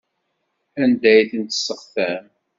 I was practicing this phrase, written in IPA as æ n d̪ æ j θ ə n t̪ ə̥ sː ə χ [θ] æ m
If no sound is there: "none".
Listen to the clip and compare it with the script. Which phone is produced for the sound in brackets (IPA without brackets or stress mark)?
θ